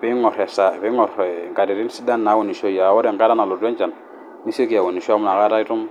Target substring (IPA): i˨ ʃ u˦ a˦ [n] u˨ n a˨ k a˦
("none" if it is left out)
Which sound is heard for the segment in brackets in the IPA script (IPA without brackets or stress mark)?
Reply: m